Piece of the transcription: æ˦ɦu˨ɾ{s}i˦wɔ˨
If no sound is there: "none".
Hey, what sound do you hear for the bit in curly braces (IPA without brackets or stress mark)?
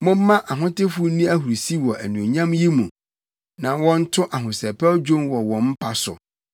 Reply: s